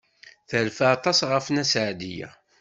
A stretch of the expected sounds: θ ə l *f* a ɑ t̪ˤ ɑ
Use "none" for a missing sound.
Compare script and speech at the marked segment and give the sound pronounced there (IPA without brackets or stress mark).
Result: f